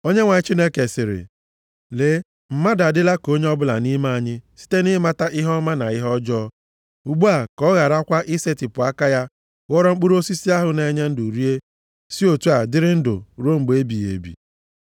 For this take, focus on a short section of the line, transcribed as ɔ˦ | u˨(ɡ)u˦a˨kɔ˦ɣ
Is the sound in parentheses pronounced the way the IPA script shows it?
no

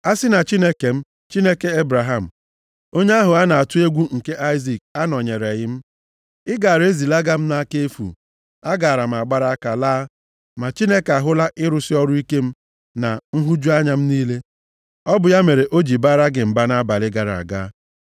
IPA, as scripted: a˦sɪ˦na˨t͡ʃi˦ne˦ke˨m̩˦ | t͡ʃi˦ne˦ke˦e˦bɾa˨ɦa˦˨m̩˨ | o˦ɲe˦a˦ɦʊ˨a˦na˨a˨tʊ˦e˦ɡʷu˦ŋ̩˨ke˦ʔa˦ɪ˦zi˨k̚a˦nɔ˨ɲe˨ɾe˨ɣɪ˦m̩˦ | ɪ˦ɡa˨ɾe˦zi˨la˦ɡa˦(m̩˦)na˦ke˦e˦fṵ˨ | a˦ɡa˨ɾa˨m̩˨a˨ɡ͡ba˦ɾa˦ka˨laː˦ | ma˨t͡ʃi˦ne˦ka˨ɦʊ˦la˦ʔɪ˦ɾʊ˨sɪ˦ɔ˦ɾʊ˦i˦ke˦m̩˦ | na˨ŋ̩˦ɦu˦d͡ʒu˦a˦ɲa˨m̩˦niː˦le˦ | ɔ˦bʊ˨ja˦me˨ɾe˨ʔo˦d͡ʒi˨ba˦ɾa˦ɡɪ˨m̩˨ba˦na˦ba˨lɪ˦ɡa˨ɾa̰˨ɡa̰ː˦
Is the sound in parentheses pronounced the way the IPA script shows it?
yes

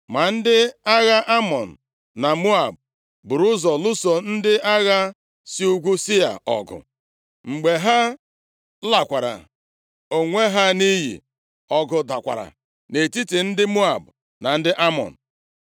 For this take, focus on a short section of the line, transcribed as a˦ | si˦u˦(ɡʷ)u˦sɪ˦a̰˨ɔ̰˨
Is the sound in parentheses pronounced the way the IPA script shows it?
yes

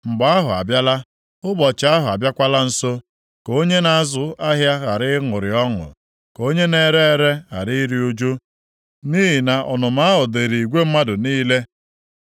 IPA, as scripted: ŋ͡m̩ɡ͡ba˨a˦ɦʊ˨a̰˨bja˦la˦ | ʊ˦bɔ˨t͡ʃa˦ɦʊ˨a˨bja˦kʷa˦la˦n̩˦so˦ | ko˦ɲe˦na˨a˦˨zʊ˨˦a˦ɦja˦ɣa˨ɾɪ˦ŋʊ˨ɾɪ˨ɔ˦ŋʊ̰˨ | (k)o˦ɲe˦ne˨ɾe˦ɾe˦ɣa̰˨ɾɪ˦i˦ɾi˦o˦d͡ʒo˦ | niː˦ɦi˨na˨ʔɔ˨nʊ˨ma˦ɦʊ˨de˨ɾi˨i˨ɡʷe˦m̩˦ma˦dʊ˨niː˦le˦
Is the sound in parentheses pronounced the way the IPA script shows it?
yes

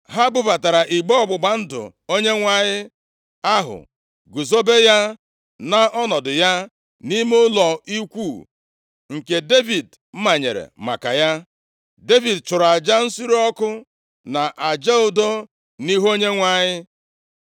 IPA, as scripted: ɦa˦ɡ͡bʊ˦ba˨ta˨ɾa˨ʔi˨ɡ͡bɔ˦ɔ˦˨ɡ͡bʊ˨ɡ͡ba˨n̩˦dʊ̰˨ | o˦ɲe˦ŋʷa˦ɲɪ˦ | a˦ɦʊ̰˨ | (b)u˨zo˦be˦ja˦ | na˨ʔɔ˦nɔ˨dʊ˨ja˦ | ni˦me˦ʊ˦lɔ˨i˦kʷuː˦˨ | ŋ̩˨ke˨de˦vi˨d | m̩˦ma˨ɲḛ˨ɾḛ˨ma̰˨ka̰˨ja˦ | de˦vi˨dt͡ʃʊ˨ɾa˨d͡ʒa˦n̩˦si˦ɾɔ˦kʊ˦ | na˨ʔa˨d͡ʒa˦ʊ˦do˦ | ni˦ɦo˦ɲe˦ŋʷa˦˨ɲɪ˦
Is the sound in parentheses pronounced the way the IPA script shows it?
no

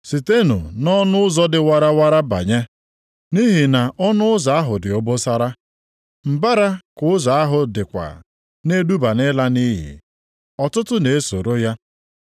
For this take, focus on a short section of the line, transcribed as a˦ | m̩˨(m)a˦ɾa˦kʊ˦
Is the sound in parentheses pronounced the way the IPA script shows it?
no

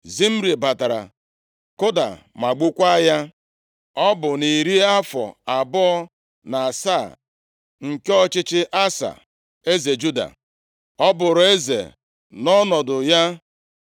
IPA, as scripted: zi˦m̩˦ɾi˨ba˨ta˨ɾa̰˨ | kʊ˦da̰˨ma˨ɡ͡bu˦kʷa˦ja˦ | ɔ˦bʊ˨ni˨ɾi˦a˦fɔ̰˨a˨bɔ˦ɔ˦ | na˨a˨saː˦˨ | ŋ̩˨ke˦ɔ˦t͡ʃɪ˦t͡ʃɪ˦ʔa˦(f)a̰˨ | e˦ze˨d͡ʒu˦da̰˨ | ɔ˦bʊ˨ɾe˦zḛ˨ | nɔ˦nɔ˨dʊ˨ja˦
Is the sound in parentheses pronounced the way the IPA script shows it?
no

